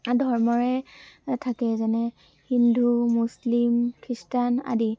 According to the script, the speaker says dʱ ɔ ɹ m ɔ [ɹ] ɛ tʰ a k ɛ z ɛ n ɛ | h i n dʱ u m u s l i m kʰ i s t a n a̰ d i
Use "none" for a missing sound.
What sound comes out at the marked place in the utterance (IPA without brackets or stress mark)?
ɹ